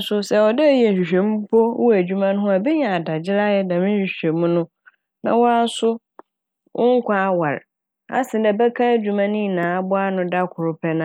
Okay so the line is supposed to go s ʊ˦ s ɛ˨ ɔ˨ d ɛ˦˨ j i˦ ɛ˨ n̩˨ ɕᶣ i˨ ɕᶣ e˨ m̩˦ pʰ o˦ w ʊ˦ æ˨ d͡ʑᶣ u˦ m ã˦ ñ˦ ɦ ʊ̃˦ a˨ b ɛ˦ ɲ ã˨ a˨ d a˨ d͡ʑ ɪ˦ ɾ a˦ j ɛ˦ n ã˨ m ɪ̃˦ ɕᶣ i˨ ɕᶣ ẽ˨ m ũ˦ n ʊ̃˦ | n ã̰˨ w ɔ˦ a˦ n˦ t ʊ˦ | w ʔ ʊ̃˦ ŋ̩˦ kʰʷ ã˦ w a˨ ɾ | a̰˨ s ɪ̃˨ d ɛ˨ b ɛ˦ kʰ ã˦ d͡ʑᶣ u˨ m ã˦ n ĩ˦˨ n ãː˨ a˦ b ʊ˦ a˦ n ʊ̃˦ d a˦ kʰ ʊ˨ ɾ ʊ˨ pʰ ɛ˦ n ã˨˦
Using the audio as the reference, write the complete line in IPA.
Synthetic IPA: s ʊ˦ s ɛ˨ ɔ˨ d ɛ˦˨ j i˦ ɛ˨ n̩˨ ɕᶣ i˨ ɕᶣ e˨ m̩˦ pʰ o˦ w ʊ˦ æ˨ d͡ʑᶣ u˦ m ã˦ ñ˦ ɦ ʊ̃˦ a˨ b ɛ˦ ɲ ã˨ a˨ d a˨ d͡ʑ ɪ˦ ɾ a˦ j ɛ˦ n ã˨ m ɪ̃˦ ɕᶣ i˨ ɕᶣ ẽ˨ m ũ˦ n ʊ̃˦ | n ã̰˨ w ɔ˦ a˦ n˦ s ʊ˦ | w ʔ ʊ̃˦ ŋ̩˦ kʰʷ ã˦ w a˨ ɾ | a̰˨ s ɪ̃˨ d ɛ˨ b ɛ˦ kʰ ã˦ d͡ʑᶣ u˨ m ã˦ n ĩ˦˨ n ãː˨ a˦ b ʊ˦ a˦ n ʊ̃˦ d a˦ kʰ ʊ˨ ɾ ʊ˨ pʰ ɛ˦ n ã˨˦